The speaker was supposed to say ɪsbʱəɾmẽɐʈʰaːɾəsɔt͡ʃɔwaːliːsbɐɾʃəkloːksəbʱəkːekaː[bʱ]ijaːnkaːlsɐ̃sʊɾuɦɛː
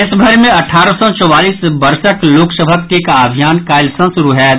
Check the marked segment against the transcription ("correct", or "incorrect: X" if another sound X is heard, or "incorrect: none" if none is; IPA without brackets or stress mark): correct